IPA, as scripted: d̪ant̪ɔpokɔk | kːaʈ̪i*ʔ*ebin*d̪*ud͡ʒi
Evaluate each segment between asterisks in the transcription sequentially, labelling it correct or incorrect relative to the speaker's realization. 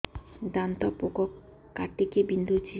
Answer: incorrect, correct

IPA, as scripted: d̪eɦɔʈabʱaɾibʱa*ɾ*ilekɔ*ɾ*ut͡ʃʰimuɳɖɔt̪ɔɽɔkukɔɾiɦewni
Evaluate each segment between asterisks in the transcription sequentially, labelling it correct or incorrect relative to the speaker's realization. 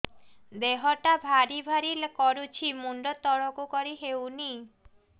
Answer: correct, correct

